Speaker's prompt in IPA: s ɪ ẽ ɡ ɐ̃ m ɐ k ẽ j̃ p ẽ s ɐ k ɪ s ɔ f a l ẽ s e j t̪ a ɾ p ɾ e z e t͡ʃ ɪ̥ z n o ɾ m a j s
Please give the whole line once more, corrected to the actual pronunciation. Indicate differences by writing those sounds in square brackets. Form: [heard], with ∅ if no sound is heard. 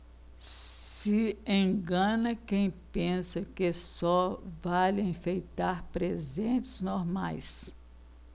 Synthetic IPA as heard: s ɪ ẽ ɡ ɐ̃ [n] ɐ k ẽ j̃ p ẽ s ɐ k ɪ s ɔ [v] a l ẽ [f] e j t̪ a ɾ p ɾ e z [ẽ] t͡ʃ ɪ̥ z n o ɾ m a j s